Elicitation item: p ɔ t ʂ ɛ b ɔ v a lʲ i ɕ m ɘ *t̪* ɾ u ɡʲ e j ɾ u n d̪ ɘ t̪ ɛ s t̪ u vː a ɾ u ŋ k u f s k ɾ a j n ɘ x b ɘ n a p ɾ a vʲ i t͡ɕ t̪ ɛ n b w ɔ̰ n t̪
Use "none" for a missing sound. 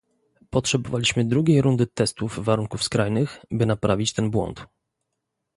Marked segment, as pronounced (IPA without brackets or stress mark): d̪